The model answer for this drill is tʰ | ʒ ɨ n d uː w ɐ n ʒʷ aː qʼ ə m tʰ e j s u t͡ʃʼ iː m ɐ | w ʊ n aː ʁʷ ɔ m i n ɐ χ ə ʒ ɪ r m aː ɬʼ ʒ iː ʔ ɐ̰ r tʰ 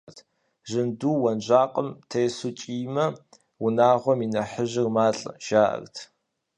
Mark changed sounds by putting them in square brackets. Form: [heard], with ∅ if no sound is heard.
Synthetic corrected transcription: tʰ | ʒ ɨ n d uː w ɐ n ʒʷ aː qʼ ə m tʰ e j s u t͡ʃʼ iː m ɐ | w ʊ n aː ʁʷ ɔ m i n ɐ [ħ] ə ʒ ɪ r m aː ɬʼ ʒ [aː] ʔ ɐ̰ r tʰ